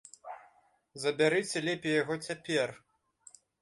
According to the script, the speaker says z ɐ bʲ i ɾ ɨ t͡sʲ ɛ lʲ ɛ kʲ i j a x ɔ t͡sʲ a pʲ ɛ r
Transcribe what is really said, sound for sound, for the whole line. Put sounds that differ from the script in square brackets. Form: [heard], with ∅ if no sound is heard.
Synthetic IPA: z ɐ bʲ [a] ɾ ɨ t͡sʲ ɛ lʲ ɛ [pʲ] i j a [ɣ] ɔ t͡sʲ a pʲ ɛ r